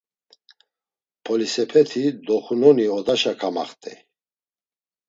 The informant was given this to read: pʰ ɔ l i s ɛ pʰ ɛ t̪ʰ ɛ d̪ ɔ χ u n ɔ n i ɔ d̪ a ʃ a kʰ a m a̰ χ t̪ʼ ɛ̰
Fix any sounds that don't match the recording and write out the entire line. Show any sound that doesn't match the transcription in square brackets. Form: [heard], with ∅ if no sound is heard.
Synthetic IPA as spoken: pʰ ɔ l i s ɛ pʰ ɛ t̪ʰ [i] d̪ ɔ χ u n ɔ n i ɔ d̪ a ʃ a kʰ a m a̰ χ t̪ʼ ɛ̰